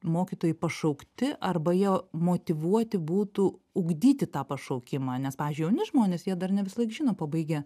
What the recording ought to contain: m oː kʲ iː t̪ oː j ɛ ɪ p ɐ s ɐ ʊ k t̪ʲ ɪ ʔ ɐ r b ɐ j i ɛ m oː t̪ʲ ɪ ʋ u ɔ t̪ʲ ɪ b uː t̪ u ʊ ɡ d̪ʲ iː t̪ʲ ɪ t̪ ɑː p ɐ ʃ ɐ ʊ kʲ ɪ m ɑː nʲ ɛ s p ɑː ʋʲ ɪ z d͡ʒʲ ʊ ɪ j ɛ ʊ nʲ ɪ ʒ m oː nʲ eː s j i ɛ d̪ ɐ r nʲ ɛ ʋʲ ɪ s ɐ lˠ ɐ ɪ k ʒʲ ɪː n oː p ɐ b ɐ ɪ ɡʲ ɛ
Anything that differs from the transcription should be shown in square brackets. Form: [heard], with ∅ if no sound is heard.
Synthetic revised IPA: m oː kʲ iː t̪ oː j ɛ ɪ p ɐ [ʃ] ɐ ʊ k t̪ʲ ɪ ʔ ɐ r b ɐ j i ɛ m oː t̪ʲ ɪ ʋ u ɔ t̪ʲ ɪ b uː t̪ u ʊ ɡ d̪ʲ iː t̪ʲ ɪ t̪ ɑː p ɐ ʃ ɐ ʊ kʲ ɪ m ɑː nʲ ɛ s p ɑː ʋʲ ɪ z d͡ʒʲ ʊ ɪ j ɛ ʊ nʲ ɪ ʒ m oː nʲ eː s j i ɛ d̪ ɐ r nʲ ɛ ʋʲ ɪ s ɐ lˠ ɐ ɪ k ʒʲ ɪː n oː p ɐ b ɐ ɪ ɡʲ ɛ

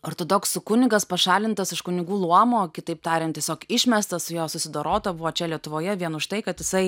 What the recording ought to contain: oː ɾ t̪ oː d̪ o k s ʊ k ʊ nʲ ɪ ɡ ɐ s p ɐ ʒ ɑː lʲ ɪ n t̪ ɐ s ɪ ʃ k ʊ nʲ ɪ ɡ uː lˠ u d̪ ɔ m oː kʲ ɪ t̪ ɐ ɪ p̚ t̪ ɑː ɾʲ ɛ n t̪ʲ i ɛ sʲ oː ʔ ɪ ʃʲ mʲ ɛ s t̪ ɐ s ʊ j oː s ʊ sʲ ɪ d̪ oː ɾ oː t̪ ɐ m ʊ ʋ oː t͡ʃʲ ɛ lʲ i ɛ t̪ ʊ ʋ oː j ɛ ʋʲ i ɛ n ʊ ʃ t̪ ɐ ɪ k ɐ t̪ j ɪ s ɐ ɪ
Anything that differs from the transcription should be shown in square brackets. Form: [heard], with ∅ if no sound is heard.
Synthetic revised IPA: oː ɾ t̪ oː d̪ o k s ʊ k ʊ nʲ ɪ ɡ ɐ s p ɐ [ʃ] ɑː lʲ ɪ n t̪ ɐ s ɪ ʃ k ʊ nʲ ɪ ɡ uː lˠ u [∅] ɔ m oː kʲ ɪ t̪ ɐ ɪ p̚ t̪ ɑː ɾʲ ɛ n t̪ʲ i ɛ sʲ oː [k] ɪ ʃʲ mʲ ɛ s t̪ ɐ s ʊ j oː s ʊ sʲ ɪ d̪ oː ɾ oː t̪ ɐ [b] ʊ ʋ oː t͡ʃʲ ɛ lʲ i ɛ t̪ ʊ ʋ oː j ɛ ʋʲ i ɛ n ʊ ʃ t̪ ɐ ɪ k ɐ t̪ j ɪ s ɐ ɪ

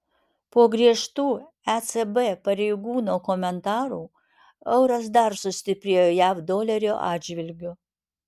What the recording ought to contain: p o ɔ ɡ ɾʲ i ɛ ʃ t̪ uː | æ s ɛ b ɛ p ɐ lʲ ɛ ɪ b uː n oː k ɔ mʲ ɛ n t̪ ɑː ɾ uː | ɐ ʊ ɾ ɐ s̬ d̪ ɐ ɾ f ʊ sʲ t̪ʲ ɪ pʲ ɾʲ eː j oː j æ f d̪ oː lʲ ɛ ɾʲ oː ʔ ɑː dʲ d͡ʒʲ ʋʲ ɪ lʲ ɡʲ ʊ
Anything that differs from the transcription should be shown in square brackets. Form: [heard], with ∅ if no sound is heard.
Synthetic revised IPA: p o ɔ ɡ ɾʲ i ɛ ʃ t̪ uː | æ s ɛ b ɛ p ɐ [ɾʲ] ɛ ɪ [ɡ] uː n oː k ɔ mʲ ɛ n t̪ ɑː ɾ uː | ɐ ʊ ɾ ɐ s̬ d̪ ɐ ɾ [s] ʊ sʲ t̪ʲ ɪ pʲ ɾʲ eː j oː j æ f d̪ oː lʲ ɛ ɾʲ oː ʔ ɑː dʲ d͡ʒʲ ʋʲ ɪ lʲ ɡʲ ʊ

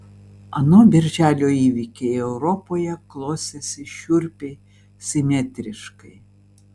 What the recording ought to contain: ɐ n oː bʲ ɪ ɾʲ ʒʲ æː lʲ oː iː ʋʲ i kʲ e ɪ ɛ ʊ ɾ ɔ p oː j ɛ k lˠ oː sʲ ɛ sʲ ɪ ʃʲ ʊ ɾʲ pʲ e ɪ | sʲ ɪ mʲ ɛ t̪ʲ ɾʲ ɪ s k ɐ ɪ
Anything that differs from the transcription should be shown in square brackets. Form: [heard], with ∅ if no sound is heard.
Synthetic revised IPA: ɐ n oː bʲ ɪ ɾʲ ʒʲ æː lʲ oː iː ʋʲ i kʲ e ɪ ɛ ʊ ɾ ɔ p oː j ɛ k lˠ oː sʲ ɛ sʲ ɪ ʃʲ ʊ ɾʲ pʲ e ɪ | sʲ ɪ mʲ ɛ t̪ʲ ɾʲ ɪ [ʃ] k ɐ ɪ

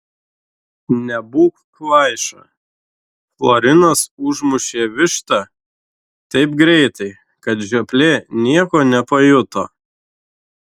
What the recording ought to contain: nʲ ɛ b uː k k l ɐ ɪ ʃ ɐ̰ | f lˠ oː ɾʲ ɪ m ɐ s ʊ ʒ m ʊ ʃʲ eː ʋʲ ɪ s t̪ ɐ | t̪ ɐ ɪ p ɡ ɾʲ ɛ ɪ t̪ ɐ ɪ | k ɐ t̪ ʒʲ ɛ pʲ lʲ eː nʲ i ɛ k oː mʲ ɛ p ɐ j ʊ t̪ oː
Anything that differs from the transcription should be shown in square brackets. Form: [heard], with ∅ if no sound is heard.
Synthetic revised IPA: nʲ ɛ b uː k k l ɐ ɪ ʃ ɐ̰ | f lˠ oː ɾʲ ɪ [n] ɐ s ʊ ʒ m ʊ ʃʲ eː ʋʲ ɪ [ʃ] t̪ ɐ | t̪ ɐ ɪ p ɡ ɾʲ ɛ ɪ t̪ ɐ ɪ | k ɐ t̪ ʒʲ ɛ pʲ lʲ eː nʲ i ɛ k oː [nʲ] ɛ p ɐ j ʊ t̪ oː

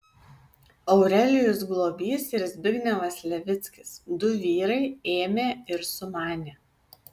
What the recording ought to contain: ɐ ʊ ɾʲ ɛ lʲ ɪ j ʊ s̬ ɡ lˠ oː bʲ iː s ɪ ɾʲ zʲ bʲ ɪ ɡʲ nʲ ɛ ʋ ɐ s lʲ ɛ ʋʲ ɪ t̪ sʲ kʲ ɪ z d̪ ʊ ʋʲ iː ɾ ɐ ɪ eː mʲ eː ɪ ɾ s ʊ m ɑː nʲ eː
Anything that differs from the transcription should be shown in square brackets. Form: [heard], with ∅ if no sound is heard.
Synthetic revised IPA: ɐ ʊ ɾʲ ɛ lʲ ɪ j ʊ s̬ ɡ lˠ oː bʲ iː s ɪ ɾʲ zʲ bʲ ɪ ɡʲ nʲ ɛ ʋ ɐ s lʲ ɛ ʋʲ ɪ t̪ sʲ kʲ ɪ [s] d̪ ʊ ʋʲ iː ɾ ɐ ɪ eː mʲ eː ɪ ɾ s ʊ m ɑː nʲ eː

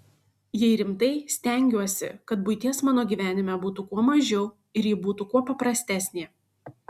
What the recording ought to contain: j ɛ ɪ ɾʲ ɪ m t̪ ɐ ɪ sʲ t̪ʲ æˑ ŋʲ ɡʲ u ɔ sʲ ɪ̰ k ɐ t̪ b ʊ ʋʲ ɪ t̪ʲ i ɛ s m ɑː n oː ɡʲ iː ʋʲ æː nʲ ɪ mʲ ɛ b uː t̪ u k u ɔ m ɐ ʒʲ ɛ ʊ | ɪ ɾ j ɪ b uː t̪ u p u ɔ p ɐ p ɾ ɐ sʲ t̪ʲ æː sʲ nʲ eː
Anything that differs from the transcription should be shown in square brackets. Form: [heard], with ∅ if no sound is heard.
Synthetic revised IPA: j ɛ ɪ ɾʲ ɪ m t̪ ɐ ɪ sʲ t̪ʲ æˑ ŋʲ ɡʲ u ɔ sʲ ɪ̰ k ɐ t̪ b ʊ [∅] ɪ t̪ʲ i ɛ s m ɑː n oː ɡʲ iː ʋʲ æː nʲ ɪ mʲ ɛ b uː t̪ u k u ɔ m ɐ ʒʲ ɛ ʊ | ɪ ɾ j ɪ b uː t̪ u [k] u ɔ p ɐ p ɾ ɐ sʲ t̪ʲ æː sʲ nʲ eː

